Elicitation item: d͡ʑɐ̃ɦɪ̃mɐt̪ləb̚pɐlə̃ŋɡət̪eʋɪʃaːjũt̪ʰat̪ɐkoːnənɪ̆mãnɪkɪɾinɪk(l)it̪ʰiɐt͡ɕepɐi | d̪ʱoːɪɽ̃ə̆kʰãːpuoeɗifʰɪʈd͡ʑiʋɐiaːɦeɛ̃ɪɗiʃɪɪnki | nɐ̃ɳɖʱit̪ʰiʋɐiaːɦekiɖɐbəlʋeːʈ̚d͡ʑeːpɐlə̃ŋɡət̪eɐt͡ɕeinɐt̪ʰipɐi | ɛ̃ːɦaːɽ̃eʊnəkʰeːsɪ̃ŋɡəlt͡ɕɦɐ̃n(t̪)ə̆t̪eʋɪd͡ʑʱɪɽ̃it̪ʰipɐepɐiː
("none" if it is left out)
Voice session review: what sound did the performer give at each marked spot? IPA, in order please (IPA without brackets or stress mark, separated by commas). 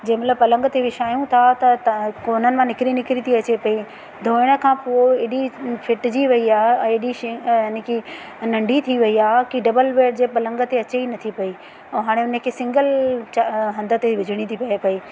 ɾ, d̪